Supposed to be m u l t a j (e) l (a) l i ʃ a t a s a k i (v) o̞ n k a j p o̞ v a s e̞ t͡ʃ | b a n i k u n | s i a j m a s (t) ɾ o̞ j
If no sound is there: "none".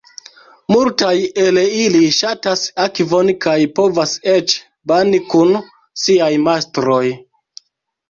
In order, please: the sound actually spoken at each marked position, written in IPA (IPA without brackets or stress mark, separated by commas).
e, i, v, t